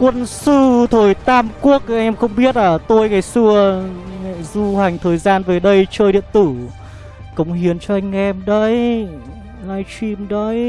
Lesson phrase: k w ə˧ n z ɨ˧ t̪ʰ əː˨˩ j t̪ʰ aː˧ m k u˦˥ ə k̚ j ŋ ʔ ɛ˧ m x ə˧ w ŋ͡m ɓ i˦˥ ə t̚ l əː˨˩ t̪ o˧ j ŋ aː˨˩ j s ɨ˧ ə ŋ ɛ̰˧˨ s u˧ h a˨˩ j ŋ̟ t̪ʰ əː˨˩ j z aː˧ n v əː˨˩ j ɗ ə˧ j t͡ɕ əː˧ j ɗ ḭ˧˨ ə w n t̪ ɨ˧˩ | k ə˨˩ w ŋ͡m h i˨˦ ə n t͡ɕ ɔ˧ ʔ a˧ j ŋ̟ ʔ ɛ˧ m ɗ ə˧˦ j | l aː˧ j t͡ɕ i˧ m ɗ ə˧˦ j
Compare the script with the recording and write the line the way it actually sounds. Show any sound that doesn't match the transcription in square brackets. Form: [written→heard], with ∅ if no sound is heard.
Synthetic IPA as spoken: k w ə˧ n [z→s] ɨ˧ t̪ʰ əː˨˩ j [t̪ʰ→t̪] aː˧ m k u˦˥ ə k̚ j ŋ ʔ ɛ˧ m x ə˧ w ŋ͡m ɓ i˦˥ ə t̚ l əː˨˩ t̪ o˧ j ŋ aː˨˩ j s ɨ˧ ə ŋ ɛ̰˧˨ [s→z] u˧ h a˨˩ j ŋ̟ t̪ʰ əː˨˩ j z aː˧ n v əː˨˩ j ɗ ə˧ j t͡ɕ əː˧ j ɗ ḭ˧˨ ə [w→∅] n t̪ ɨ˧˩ | k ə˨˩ w ŋ͡m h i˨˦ ə n t͡ɕ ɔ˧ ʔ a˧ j ŋ̟ ʔ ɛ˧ m ɗ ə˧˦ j | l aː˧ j t͡ɕ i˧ m ɗ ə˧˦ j

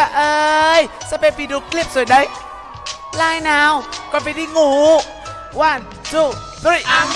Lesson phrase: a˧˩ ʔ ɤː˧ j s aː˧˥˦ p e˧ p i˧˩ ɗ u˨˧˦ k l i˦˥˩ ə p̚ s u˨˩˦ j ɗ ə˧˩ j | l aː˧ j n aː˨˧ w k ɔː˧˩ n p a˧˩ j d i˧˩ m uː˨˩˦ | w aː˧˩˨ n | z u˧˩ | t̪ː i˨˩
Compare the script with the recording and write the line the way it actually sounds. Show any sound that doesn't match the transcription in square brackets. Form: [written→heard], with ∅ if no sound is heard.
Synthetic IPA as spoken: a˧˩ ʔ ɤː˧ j s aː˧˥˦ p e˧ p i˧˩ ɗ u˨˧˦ k l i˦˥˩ ə p̚ s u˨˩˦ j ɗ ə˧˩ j | l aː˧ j n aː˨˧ w k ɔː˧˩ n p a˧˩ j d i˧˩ [m→ŋ] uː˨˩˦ | w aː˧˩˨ n | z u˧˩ | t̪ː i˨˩

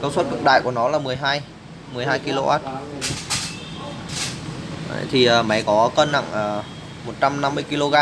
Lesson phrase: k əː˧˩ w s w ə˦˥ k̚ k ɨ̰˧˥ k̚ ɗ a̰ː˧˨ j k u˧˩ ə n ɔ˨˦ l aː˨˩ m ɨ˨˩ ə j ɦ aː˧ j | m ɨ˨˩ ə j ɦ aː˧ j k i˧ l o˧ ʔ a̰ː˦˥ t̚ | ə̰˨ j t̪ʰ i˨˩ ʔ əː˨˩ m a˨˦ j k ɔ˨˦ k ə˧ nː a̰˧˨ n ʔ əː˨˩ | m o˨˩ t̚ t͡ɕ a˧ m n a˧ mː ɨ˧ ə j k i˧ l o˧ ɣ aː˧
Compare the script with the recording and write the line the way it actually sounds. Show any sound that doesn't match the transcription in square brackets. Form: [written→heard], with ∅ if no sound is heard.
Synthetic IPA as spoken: k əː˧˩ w s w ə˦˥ [k̚→t̚] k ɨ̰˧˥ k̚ ɗ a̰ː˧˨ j k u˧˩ ə n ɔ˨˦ l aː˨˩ m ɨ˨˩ ə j ɦ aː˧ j | m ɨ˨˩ ə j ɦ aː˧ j k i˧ l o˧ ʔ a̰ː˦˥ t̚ | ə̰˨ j t̪ʰ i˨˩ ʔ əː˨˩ m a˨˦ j k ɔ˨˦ k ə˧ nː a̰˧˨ [n→ŋ] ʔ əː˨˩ | m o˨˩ t̚ t͡ɕ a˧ m n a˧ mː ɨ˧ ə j k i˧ l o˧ ɣ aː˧

